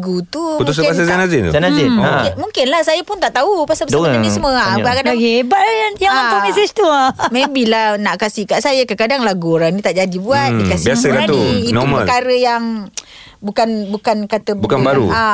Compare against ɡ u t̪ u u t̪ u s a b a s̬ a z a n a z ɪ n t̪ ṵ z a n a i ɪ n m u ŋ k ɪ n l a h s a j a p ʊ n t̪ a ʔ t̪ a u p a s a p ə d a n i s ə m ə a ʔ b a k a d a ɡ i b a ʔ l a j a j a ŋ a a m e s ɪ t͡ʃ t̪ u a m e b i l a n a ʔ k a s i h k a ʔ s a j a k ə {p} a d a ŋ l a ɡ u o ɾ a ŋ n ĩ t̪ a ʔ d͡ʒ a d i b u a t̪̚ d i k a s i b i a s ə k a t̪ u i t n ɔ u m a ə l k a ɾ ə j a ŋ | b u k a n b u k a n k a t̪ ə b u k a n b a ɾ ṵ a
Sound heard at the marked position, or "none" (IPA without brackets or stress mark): k